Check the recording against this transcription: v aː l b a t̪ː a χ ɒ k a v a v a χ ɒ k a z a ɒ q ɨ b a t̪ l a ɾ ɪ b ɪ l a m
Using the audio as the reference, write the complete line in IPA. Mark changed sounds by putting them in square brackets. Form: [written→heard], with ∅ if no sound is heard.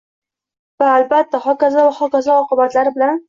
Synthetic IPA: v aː l b a t̪ː a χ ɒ k a [v→z] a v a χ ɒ k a z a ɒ q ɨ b a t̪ l a ɾ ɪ b ɪ l a [m→n]